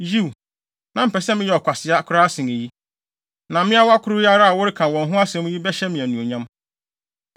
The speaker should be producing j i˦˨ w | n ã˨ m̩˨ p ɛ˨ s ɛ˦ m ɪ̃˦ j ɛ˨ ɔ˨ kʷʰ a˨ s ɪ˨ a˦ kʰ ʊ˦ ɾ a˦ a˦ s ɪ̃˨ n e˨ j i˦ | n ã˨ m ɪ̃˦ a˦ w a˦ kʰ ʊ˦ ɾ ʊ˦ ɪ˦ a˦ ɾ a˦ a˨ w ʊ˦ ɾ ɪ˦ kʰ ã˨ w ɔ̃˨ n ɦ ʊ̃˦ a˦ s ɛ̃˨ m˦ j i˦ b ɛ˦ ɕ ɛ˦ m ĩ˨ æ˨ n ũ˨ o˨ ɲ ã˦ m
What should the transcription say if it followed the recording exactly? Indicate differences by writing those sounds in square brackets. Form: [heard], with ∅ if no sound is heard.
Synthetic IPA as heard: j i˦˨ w | n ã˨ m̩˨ p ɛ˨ s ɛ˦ m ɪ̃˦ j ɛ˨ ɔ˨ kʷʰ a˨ s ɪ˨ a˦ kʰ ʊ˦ ɾ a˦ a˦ s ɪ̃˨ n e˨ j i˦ | n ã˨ m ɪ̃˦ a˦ w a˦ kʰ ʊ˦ ɾ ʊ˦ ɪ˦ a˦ ɾ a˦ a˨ w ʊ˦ ɾ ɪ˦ kʰ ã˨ w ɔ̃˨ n ɦ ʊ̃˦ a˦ s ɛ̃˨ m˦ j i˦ b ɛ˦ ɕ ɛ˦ m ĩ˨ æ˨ n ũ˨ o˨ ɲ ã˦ m